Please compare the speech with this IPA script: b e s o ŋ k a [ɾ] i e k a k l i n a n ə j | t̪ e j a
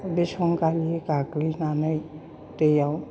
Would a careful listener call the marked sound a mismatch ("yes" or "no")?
yes